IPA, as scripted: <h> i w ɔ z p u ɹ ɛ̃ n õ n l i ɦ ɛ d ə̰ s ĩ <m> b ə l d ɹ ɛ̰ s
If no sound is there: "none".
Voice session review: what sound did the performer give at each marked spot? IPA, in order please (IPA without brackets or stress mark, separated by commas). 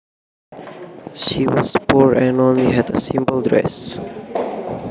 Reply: ʃ, m